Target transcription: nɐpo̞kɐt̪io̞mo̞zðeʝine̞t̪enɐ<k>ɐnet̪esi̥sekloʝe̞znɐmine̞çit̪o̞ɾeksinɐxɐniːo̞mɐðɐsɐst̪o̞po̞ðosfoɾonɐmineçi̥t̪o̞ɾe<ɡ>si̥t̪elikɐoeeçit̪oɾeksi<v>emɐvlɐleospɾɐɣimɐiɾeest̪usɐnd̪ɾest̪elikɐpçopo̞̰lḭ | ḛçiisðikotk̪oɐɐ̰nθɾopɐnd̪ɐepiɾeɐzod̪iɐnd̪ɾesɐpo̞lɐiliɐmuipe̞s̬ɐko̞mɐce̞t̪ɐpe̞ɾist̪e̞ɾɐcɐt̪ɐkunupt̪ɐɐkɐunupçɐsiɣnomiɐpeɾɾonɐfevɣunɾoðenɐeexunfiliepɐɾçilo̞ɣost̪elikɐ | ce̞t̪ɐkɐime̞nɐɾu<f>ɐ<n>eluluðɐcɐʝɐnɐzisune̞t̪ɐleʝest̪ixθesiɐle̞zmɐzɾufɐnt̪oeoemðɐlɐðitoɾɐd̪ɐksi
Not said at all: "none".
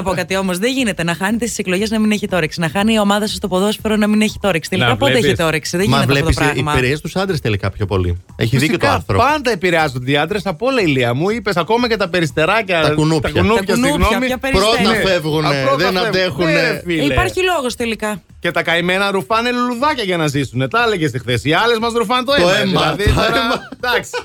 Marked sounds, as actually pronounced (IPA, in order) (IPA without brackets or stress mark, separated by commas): x, k, ð, f, n